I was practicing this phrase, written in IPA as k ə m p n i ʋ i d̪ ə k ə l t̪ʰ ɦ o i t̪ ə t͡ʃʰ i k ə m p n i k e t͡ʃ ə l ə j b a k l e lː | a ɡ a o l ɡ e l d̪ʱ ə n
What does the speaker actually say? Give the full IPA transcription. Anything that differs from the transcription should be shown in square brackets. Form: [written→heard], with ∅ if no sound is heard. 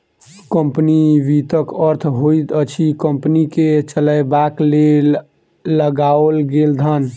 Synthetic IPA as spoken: k ə m p n i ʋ i [d̪→t̪] ə k ə [l→ɾ] t̪ʰ ɦ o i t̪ ə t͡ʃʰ i k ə m p n i k e t͡ʃ ə l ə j b a k l e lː | [a→ə] ɡ a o l ɡ e l d̪ʱ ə n